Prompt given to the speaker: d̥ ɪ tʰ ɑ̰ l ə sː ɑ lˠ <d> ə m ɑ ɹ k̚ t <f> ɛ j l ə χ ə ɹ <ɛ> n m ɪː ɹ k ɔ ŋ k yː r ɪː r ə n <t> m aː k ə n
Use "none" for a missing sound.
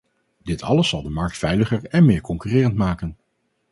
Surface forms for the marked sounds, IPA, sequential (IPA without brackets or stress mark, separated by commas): d, f, ɛ, t